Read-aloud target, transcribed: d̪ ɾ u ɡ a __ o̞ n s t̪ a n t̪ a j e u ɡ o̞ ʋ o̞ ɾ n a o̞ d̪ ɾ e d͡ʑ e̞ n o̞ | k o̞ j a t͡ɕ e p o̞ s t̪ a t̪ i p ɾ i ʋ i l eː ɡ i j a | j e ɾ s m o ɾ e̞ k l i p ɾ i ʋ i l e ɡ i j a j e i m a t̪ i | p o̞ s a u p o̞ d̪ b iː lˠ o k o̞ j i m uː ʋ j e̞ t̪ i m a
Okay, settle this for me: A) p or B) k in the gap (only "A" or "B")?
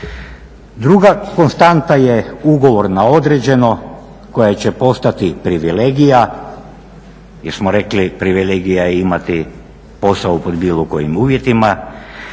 B